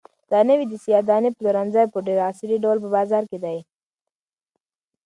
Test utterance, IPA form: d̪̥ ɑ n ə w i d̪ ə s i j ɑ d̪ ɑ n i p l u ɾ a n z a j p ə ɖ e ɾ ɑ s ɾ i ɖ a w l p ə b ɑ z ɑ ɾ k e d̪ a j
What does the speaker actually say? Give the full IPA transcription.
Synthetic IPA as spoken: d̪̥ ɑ n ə w i d̪ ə s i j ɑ d̪ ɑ n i p l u ɾ a n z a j p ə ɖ e ɾ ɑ s ɾ i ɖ a w l p ə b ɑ z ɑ ɾ k e d̪ a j